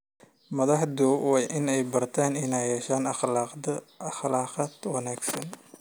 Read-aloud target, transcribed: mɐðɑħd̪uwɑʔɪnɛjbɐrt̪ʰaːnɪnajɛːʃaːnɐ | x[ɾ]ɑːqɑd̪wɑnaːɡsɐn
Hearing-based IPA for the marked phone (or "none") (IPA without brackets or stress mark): l